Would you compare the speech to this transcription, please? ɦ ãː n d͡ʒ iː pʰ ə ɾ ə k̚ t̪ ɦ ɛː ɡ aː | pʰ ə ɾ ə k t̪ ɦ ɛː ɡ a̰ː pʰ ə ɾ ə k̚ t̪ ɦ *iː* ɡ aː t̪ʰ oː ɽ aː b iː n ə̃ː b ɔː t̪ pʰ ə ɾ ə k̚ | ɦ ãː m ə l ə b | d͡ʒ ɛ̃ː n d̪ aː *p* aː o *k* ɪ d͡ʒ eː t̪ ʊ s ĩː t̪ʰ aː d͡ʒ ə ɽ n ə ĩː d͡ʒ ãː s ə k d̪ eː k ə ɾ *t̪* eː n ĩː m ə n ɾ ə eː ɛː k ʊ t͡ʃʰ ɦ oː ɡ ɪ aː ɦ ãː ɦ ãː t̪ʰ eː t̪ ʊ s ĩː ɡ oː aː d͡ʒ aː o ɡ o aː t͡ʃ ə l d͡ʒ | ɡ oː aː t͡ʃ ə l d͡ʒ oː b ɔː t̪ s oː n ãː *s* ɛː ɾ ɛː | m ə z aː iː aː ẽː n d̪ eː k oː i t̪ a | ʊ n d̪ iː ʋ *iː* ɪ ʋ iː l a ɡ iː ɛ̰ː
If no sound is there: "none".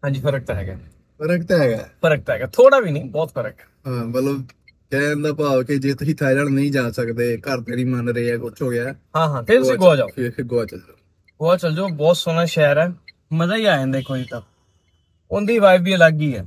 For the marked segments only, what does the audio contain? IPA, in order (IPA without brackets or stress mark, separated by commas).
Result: ɛː, p, k, t̪, ʃ, aː